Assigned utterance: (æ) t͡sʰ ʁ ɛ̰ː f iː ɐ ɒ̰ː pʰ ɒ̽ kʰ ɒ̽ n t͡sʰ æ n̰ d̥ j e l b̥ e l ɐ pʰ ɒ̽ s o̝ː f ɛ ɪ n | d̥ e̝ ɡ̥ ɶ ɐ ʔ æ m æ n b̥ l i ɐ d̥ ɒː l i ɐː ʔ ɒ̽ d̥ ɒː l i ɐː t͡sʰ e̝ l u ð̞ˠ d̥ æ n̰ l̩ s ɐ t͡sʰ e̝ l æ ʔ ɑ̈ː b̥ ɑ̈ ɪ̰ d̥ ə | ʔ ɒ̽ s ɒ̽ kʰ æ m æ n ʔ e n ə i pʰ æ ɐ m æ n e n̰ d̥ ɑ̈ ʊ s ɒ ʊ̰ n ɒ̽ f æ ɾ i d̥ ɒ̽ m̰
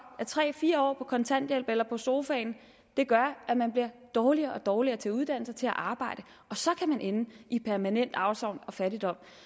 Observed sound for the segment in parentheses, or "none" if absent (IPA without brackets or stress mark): æ